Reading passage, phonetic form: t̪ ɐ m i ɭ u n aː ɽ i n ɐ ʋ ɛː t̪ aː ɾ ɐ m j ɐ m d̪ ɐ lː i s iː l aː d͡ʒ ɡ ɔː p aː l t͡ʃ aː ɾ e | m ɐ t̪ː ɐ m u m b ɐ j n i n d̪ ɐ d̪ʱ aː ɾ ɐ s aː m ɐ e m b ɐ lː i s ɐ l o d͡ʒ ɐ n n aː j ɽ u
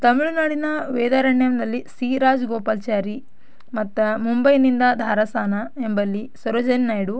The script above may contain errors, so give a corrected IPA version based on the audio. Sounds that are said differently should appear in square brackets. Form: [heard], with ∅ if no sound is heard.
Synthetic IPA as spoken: t̪ ɐ m i ɭ u n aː ɽ i n ɐ ʋ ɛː [d̪] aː ɾ ɐ [ɳ] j ɐ m d̪ ɐ lː i s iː [ɾ] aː d͡ʒ ɡ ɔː p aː l t͡ʃ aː ɾ [i] | m ɐ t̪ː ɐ m u m b ɐ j n i n d̪ ɐ d̪ʱ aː ɾ ɐ s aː [n] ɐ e m b ɐ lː i s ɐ [ɾ] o d͡ʒ ɐ n n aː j ɽ u

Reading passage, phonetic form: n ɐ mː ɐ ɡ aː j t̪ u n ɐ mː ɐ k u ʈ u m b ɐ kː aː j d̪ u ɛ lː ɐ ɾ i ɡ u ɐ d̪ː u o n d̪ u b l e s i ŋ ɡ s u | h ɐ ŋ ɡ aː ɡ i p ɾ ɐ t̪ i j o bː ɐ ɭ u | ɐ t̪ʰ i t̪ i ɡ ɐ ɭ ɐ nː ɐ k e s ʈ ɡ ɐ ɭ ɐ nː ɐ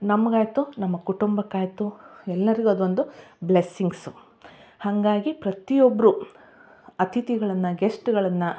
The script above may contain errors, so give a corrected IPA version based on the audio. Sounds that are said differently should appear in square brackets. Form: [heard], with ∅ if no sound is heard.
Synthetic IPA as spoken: n ɐ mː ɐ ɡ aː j t̪ u n ɐ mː ɐ k u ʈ u m b ɐ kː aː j [t̪] u ɛ lː ɐ ɾ i ɡ u ɐ [d̪] u o n d̪ u b l e s i ŋ ɡ s u | h ɐ ŋ ɡ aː ɡ i p ɾ ɐ t̪ i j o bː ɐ [ɾ] u | ɐ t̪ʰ i t̪ i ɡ ɐ ɭ ɐ nː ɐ [ɡ] e s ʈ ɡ ɐ ɭ ɐ nː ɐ

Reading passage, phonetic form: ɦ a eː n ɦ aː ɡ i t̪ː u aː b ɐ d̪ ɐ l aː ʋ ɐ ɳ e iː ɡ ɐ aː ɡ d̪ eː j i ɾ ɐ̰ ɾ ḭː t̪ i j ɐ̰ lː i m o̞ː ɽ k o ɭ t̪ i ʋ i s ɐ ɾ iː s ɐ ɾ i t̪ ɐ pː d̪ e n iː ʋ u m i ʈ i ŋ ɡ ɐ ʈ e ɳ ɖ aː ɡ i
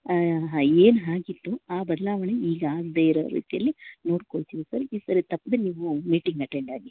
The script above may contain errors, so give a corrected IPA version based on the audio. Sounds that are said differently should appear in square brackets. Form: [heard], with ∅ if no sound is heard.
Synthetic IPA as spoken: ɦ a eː n ɦ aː ɡ i t̪ː u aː b ɐ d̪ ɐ l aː ʋ ɐ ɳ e iː ɡ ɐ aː ɡ d̪ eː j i ɾ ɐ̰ ɾ ḭː t̪ i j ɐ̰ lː i [n] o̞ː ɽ k o ɭ t̪ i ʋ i s ɐ ɾ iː s ɐ ɾ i t̪ ɐ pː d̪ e n iː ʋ u m [iː] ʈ i ŋ ɡ ɐ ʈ e ɳ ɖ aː ɡ i

